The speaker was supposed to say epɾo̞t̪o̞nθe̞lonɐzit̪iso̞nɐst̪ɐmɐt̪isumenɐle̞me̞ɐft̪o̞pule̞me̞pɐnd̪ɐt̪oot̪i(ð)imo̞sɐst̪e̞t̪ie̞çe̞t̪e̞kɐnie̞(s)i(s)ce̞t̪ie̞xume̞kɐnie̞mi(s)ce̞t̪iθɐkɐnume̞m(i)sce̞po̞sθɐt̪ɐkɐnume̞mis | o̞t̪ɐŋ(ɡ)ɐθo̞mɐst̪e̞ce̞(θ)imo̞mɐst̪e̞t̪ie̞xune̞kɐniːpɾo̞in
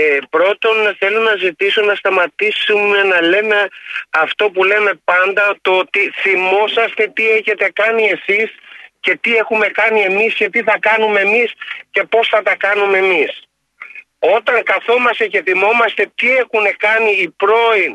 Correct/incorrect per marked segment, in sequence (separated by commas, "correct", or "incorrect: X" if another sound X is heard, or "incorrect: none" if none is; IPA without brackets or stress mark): incorrect: θ, correct, correct, correct, correct, incorrect: k, correct